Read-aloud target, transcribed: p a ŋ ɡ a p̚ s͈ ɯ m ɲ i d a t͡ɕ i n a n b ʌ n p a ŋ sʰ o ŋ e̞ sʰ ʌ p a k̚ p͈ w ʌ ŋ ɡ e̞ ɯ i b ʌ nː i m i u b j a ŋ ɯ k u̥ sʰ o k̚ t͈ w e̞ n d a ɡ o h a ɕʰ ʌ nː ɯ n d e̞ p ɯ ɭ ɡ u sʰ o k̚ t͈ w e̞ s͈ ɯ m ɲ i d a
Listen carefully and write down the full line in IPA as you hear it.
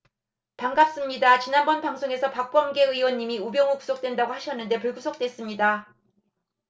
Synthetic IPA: p a ŋ ɡ a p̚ s͈ ɯ m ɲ i d a t͡ɕ i n a n b ʌ n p a ŋ sʰ o ŋ e̞ sʰ ʌ p a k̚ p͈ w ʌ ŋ ɡ e̞ ɯ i w ʌ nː i m i u b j ʌ ŋ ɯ k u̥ sʰ o k̚ t͈ w e̞ n d a ɡ o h a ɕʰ ʌ nː ɯ n d e̞ p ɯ ɭ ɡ u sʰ o k̚ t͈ w e̞ s͈ ɯ m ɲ i d a